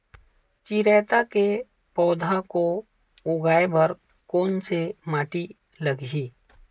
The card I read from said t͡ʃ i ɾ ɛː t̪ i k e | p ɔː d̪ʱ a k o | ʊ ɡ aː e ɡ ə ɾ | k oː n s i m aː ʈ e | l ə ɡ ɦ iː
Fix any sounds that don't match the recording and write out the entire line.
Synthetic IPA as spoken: t͡ʃ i ɾ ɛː t̪ a k e | p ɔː d̪ʱ a k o | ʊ ɡ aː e b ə ɾ | k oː n s e m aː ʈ i | l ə ɡ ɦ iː